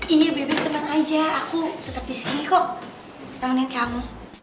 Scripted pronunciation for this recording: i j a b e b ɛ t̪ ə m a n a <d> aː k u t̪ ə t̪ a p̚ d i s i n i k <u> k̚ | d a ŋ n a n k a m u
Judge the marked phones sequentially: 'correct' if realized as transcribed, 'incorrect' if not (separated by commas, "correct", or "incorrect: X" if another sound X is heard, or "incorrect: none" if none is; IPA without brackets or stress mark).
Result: incorrect: d͡ʒ, incorrect: ɔ